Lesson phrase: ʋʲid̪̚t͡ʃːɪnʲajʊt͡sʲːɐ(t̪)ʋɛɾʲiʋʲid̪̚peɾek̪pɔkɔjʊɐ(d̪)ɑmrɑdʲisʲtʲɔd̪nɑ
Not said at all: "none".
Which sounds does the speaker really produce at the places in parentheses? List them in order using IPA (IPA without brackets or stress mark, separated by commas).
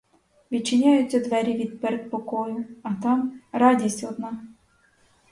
d̪, t̪